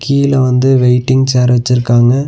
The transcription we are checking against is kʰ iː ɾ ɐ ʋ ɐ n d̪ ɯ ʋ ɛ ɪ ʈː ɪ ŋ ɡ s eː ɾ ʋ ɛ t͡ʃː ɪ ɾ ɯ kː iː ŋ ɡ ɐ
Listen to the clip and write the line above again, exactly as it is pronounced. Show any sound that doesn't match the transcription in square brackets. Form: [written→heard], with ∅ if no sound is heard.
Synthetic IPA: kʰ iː [ɾ→l] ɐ ʋ ɐ n d̪ ɯ ʋ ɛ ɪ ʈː ɪ ŋ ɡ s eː ɾ ʋ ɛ t͡ʃː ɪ ɾ ɯ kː [iː→aː] ŋ ɡ ɐ